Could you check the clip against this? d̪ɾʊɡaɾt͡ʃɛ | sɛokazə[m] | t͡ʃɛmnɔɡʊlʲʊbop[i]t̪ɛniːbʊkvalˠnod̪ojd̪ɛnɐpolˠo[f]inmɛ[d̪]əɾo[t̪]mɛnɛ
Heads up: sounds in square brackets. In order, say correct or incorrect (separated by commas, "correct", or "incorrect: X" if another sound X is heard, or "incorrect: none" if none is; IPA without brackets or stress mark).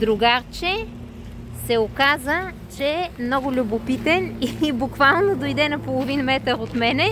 incorrect: none, correct, incorrect: v, incorrect: t̪, correct